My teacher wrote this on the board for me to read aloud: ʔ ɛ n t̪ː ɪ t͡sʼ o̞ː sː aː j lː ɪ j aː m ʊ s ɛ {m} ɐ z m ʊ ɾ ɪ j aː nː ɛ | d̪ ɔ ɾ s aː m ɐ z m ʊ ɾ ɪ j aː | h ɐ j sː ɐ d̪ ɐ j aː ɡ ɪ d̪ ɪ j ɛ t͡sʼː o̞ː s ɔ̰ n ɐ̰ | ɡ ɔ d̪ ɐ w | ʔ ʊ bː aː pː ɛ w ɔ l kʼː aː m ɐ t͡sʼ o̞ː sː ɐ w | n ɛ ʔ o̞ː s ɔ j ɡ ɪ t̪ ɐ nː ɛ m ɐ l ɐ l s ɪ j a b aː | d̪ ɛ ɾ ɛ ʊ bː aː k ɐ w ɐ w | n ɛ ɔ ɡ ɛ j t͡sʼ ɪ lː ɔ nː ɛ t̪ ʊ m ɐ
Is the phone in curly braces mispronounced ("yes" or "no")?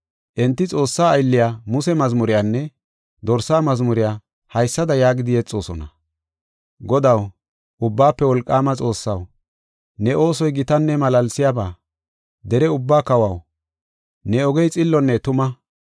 no